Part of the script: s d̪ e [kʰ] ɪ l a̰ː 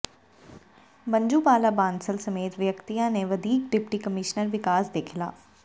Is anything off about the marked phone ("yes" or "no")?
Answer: no